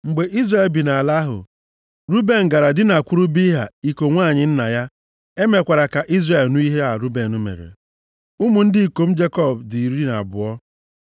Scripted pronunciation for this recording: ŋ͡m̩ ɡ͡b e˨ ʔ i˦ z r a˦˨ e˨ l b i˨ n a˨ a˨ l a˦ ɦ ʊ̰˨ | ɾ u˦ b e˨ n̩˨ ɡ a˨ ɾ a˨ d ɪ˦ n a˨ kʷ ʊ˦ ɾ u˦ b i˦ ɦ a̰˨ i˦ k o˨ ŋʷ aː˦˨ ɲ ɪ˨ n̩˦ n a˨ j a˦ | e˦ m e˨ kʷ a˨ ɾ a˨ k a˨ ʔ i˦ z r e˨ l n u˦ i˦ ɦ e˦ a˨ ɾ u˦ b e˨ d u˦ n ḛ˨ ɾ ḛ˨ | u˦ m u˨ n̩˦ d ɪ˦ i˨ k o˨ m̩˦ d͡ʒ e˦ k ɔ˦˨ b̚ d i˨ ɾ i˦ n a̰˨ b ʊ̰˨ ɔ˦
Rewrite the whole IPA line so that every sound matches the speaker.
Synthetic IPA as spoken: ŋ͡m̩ ɡ͡b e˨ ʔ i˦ z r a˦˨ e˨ l b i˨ n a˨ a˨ l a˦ ɦ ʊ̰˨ | ɾ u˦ b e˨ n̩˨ ɡ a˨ ɾ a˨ d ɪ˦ n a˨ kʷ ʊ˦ ɾ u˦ b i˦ ɦ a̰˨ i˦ k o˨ ŋʷ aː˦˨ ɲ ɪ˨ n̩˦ n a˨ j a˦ | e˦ m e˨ kʷ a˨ ɾ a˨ k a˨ ʔ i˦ z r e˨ l n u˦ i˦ ɦ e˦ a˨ ɾ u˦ b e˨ n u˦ m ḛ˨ ɾ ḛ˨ | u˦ m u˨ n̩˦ d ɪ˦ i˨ k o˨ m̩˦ d͡ʒ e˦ k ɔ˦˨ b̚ d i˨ ɾ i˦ n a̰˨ b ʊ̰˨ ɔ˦